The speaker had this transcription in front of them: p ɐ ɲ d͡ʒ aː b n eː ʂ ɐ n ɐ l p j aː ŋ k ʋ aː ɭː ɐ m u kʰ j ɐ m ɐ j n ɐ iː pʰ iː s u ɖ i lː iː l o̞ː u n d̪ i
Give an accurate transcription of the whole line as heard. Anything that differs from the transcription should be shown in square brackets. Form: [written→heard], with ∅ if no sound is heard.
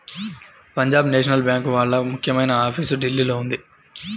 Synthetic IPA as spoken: p ɐ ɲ d͡ʒ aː b n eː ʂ ɐ n ɐ l [p→b] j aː ŋ k ʋ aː ɭː ɐ m u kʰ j ɐ m ɐ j n ɐ [iː→aː] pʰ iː s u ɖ i lː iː l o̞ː u n d̪ i